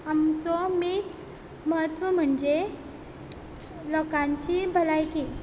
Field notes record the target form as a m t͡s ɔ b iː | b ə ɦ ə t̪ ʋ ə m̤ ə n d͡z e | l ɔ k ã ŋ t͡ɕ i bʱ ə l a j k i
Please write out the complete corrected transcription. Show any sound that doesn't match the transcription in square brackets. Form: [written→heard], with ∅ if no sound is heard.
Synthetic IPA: a m t͡s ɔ [b→m] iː | [b→m] ə ɦ ə t̪ ʋ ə m̤ ə [n→ɳ] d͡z e | l ɔ k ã [ŋ→ɲ] t͡ɕ i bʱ ə l a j k i